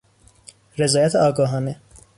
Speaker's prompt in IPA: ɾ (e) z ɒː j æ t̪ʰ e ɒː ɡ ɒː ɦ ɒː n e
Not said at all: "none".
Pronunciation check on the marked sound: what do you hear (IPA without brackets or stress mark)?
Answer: e